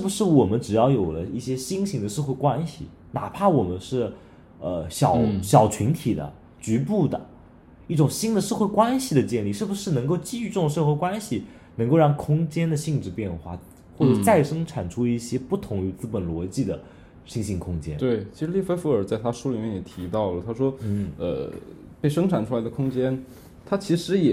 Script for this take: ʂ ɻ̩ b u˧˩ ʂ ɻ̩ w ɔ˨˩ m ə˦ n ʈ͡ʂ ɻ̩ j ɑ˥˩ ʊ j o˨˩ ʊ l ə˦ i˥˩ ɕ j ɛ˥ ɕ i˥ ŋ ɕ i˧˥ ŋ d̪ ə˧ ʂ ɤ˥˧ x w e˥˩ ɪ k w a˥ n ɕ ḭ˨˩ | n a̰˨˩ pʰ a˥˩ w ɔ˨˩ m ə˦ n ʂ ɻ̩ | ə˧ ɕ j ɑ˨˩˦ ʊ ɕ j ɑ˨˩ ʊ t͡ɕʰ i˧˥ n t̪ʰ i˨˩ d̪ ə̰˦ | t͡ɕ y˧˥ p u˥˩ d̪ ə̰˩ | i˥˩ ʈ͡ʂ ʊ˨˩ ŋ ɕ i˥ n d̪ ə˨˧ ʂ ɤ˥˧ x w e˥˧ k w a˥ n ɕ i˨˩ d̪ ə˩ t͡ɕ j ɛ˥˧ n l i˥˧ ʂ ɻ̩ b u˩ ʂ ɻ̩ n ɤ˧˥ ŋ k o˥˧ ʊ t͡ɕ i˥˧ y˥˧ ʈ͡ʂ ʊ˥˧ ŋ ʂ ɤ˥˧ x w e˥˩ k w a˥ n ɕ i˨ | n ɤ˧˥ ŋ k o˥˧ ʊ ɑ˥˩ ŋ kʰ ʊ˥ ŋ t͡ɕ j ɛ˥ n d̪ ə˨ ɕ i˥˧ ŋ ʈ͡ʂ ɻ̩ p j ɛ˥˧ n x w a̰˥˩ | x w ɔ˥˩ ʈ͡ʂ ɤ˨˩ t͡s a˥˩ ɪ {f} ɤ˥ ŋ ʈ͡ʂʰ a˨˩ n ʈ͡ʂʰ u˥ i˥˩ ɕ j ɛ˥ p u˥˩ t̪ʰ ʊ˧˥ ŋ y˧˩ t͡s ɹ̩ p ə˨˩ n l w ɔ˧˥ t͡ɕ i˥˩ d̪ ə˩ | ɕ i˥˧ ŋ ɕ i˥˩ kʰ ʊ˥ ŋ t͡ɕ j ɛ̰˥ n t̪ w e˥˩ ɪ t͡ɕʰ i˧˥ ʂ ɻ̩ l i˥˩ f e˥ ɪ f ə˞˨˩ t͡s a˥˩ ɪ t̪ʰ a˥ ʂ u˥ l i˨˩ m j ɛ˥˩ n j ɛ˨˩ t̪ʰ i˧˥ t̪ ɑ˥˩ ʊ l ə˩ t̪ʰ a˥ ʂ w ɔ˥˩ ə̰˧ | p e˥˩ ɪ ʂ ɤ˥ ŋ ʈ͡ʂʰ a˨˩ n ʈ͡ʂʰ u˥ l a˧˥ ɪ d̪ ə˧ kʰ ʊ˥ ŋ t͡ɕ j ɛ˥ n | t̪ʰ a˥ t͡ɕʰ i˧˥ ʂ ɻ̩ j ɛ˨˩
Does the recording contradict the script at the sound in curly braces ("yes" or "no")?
yes